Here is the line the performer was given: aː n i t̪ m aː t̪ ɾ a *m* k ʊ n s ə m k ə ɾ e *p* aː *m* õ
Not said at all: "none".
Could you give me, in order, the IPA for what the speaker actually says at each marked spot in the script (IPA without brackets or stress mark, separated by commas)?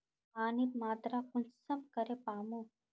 none, p, m